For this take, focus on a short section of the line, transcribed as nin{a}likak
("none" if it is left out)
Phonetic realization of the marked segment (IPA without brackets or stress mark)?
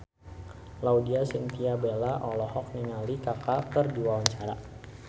a